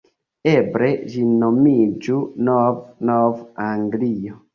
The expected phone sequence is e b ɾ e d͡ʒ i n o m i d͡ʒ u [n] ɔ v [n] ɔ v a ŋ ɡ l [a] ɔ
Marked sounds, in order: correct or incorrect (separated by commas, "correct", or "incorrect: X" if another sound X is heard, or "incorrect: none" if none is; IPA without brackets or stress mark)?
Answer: correct, correct, incorrect: i